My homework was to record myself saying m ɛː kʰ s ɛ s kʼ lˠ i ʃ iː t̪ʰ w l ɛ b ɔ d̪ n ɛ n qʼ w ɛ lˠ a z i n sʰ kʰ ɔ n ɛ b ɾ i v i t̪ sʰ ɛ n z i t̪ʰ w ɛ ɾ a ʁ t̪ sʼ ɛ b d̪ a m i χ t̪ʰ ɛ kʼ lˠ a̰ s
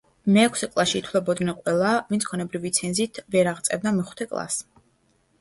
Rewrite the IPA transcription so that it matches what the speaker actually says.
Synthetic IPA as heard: m ɛː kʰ s ɛ kʼ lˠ a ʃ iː t̪ʰ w l ɛ b ɔ d̪ n ɛ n qʼ w ɛ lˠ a v i n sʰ kʰ ɔ n ɛ b ɾ i v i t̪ sʰ ɛ n z i t̪ʰ v ɛ ɾ a ʁ t̪ sʼ ɛ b d̪ a m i χ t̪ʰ ɛ kʼ lˠ a̰ s

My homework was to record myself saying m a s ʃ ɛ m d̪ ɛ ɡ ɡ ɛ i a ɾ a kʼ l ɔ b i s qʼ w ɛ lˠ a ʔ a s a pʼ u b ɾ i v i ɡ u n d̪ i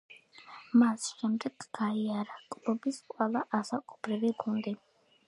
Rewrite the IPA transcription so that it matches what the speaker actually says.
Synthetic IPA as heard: m a s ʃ ɛ m d̪ ɛ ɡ ɡ a i a ɾ a kʼ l ɔ b i s qʼ w ɛ lˠ a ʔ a s a kʼ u b ɾ i v i ɡ u n d̪ i

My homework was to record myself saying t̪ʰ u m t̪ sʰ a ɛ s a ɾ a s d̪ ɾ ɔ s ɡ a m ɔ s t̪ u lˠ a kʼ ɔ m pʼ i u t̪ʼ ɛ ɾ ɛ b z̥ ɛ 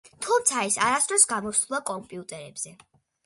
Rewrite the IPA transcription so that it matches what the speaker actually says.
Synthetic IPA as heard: t̪ʰ u m t̪ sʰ a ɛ s a ɾ a s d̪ ɾ ɔ s ɡ a m ɔ s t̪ u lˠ a kʼ ɔ m pʼ i u t̪ʼ ɛ ɾ ɛ b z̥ ɛ

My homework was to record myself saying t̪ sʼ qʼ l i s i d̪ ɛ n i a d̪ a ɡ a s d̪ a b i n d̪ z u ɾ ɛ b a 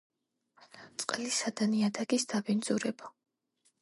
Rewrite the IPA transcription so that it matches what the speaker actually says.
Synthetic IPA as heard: t̪ sʼ qʼ l i s a d̪ a n i a d̪ a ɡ i s d̪ a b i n d̪ z u ɾ ɛ b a

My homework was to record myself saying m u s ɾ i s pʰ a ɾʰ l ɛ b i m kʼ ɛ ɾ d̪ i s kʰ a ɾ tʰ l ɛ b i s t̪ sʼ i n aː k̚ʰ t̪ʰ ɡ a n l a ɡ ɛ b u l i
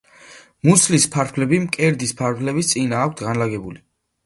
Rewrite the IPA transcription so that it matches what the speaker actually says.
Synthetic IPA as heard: m u s l i s pʰ a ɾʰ l ɛ b i m kʼ ɛ ɾ d̪ i s pʰ a ɾ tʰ l ɛ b i s t̪ sʼ i n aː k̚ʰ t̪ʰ ɡ a n l a ɡ ɛ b u l i

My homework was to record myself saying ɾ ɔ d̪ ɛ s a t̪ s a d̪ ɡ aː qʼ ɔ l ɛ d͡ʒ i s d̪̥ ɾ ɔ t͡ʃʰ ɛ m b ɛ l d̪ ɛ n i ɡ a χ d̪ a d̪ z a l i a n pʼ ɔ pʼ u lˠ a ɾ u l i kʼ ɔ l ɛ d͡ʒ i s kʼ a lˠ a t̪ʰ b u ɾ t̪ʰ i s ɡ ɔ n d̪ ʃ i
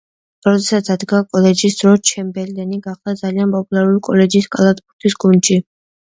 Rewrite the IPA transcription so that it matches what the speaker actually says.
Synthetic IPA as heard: ɾ ɔ d̪ ɛ s a t̪ s a d̪ ɡ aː kʼ ɔ l ɛ d͡ʒ i s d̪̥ ɾ ɔ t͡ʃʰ ɛ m b ɛ l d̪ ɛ n i ɡ a χ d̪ a d̪ z a l i a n pʼ ɔ pʼ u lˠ a ɾ u l i kʼ ɔ l ɛ d͡ʒ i s kʼ a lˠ a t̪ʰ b u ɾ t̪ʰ i s ɡ u n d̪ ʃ i

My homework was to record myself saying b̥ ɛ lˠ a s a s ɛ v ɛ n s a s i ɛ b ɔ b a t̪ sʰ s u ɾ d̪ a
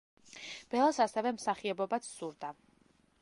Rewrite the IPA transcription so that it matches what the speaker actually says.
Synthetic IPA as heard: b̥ ɛ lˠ a s a s ɛ v ɛ m s a χ i ɛ b ɔ b a t̪ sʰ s u ɾ d̪ a

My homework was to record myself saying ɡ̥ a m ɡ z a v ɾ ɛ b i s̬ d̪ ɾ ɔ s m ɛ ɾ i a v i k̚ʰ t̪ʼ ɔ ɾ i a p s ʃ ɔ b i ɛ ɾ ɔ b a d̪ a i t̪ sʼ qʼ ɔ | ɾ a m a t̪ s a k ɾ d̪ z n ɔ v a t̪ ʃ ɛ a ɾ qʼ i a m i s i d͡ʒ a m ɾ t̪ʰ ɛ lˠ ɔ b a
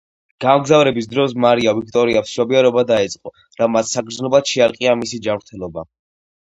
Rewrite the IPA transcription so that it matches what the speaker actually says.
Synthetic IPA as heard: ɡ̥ a m ɡ z a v ɾ ɛ b i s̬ d̪ ɾ ɔ s m a ɾ i a v i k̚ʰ t̪ʼ ɔ ɾ i a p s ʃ ɔ b i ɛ ɾ ɔ b a d̪ a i t̪ sʼ qʼ ɔ | ɾ a m a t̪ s a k ɾ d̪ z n ɔ b a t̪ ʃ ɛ a ɾ qʼ i a m i s i d͡ʒ a m ɾ t̪ʰ ɛ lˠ ɔ b a

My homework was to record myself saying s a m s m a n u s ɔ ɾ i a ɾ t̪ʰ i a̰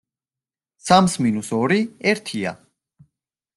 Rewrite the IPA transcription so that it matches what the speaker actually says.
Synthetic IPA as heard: s a m s m i n u s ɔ ɾ i ɛ ɾ t̪ʰ i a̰

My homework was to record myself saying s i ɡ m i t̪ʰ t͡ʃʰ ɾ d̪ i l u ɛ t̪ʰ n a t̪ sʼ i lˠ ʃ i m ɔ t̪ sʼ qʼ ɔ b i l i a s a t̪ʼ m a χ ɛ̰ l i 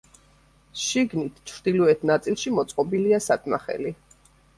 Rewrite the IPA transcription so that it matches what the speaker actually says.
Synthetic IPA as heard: ʃ i ɡ n i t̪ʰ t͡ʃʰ ɾ d̪ i l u ɛ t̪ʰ n a t̪ sʼ i lˠ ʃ i m ɔ t̪ sʼ qʼ ɔ b i l i a s a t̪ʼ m a χ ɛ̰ l i

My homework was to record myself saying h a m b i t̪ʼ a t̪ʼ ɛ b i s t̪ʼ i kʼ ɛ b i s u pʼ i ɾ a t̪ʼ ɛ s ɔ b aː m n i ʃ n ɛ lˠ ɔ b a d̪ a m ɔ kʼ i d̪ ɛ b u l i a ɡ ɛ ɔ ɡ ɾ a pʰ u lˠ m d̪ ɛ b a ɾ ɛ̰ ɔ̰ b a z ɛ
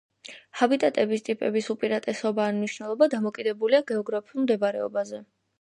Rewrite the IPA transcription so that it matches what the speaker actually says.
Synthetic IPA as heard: h a b i t̪ʼ a t̪ʼ ɛ b i s t̪ʼ i pʼ ɛ b i s u pʼ i ɾ a t̪ʼ ɛ s ɔ b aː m n i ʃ n ɛ lˠ ɔ b a d̪ a m ɔ kʼ i d̪ ɛ b u l i a ɡ ɛ ɔ ɡ ɾ a pʰ u lˠ m d̪ ɛ b a ɾ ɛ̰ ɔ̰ b a z ɛ

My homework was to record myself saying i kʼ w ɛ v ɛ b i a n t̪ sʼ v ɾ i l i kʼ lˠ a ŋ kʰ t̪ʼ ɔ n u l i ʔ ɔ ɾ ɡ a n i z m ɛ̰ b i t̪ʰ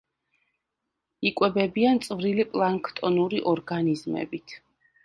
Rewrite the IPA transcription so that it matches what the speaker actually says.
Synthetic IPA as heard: i kʼ w ɛ b ɛ b i a n t̪ sʼ v ɾ i l i pʼ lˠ a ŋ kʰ t̪ʼ ɔ n u ɾ i ʔ ɔ ɾ ɡ a n i z m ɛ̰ b i t̪ʰ

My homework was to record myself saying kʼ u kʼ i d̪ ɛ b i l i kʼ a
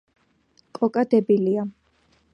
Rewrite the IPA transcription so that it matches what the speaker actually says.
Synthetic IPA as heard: kʼ ɔ kʼ a d̪ ɛ b i l i a

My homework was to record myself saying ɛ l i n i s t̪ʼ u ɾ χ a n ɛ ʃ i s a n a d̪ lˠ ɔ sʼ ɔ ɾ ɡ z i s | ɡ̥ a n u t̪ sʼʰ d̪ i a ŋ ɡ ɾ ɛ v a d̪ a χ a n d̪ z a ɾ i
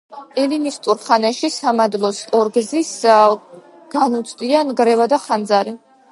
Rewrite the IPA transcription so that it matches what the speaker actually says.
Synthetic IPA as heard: ɛ l i n i s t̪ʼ u ɾ χ a n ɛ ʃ i s a m a d̪ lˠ ɔ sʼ ɔ ɾ ɡ z i s | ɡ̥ a n u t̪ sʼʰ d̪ i a n ɡ ɾ ɛ v a d̪ a χ a n d̪ z a ɾ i

